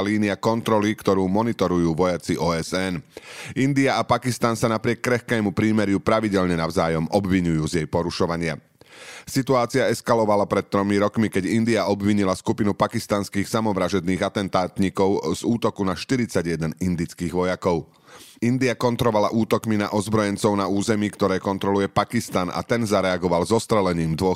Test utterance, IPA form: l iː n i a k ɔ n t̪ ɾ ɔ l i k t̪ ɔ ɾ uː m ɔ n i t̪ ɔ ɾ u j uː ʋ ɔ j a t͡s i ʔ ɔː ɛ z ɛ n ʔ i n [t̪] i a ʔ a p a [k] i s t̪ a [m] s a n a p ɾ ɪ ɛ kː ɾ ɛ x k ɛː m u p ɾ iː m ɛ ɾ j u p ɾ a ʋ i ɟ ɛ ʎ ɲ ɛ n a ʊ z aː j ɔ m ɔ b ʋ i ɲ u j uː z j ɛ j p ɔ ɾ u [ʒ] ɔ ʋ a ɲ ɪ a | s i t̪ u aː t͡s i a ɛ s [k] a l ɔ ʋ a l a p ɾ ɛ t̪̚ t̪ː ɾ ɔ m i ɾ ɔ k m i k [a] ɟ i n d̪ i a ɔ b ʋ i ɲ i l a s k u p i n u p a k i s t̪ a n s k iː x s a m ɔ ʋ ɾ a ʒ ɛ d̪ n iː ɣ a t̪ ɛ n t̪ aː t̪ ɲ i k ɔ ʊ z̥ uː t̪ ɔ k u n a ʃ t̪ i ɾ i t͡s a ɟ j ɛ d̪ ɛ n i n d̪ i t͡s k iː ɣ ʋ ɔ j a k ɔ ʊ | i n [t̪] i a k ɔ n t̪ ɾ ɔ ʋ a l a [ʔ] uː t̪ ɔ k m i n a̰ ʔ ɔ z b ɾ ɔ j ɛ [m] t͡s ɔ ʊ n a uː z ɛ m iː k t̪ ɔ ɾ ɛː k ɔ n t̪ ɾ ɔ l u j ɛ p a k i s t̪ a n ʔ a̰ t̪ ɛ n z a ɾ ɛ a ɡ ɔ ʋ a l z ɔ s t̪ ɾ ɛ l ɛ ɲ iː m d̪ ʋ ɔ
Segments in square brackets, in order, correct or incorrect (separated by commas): incorrect, correct, incorrect, incorrect, correct, incorrect, incorrect, correct, incorrect